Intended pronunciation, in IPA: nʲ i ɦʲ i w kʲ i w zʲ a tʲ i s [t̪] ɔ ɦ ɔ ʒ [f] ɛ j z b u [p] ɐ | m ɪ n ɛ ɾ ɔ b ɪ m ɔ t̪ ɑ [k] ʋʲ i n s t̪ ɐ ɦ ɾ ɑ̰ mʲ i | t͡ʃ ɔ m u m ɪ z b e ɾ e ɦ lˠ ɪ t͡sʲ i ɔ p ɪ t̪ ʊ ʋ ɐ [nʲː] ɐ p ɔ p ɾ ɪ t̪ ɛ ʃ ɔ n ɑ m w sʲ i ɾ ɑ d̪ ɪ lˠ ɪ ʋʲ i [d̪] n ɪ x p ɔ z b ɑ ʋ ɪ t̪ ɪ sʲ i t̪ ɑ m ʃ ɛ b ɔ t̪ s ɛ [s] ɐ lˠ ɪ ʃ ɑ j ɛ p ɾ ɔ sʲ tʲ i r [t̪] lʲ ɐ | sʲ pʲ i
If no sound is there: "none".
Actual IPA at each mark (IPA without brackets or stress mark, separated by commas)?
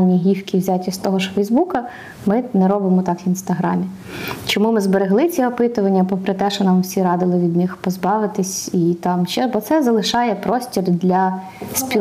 t̪, f, k, k, nʲː, d̪, z, d̪